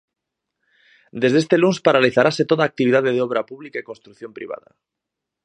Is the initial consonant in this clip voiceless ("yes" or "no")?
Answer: no